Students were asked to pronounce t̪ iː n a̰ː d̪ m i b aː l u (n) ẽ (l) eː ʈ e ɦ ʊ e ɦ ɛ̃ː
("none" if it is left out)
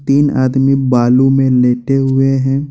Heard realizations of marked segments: m, l

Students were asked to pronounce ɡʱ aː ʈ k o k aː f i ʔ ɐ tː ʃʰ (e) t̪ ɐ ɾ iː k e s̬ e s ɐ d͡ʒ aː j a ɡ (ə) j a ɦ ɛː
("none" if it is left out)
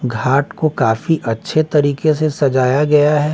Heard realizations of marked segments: e, ɐ

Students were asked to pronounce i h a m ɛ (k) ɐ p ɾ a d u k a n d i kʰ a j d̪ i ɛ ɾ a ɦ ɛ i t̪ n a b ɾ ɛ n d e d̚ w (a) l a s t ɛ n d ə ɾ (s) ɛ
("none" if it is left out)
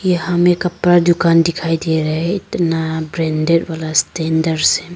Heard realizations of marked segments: k, a, s

